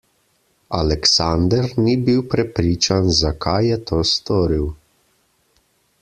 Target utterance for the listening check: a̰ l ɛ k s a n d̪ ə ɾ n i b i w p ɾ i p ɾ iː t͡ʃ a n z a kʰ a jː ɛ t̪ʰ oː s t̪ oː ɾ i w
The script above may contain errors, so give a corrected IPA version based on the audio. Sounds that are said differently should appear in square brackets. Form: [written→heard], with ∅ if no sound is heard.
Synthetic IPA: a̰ l ɛ k s a n d̪ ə ɾ n i b i w p ɾ [i→ɛ] p ɾ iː t͡ʃ a n z a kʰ a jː ɛ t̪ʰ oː s t̪ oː ɾ i w